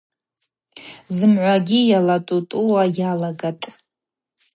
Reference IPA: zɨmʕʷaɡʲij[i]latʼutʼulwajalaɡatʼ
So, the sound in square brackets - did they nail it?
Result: no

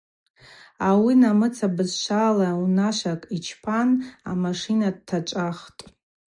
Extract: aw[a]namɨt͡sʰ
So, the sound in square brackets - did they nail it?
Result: no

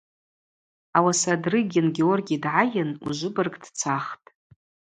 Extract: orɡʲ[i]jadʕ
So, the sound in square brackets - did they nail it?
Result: yes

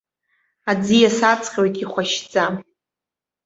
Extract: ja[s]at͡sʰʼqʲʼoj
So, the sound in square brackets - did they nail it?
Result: yes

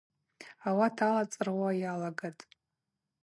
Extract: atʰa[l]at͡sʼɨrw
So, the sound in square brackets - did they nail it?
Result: yes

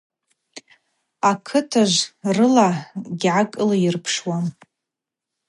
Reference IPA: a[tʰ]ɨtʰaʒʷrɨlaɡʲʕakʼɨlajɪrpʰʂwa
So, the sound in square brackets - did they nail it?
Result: no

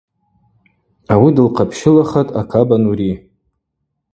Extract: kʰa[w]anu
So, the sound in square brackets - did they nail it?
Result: no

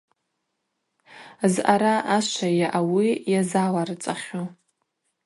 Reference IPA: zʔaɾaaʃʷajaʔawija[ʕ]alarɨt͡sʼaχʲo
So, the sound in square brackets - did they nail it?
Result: no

